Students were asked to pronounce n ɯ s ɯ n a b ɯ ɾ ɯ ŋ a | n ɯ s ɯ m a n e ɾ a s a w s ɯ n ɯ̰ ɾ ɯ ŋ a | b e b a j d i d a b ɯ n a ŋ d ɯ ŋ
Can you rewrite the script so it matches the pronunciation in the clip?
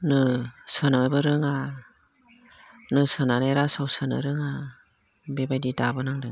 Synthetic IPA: n ɯ s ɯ n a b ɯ ɾ ɯ ŋ a | n ɯ s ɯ n a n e ɾ a s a w s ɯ n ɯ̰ ɾ ɯ ŋ a | b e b a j d i d a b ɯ n a ŋ d ɯ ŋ